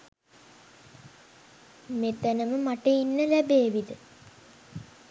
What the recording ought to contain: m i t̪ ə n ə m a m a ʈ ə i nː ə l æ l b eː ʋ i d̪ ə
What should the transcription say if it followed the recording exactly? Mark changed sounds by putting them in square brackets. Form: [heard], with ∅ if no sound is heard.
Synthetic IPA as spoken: m [e] t̪ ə n ə m [ə] m a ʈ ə i nː ə l æ [∅] b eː ʋ i d̪ ə